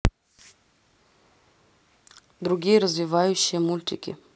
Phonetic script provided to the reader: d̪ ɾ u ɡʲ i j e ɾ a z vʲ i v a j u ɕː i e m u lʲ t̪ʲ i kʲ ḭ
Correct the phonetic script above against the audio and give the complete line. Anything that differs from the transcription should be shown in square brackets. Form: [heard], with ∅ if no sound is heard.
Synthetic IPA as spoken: d̪ ɾ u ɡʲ i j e ɾ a z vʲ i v a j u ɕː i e m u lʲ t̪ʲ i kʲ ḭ